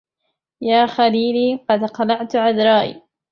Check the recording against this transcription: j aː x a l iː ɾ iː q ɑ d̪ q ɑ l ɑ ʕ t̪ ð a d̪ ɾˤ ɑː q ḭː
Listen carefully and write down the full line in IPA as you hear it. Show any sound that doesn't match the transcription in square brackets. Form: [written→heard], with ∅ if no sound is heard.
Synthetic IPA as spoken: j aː x a l iː [ɾ→l] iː q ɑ d̪ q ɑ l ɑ ʕ t̪ [ð→ʕ] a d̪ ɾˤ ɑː [q→ʔ] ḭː